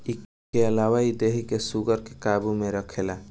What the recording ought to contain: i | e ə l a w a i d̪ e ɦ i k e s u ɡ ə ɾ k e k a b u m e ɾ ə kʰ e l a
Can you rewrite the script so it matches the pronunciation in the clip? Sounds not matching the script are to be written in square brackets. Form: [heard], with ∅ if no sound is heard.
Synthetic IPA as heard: i | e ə l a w a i d̪ e ɦ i k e s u ɡ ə ɾ k e k a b u m e ɾ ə kʰ e l a